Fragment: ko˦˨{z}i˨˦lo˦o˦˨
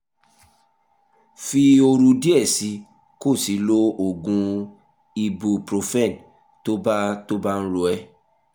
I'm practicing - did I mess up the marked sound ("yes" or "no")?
yes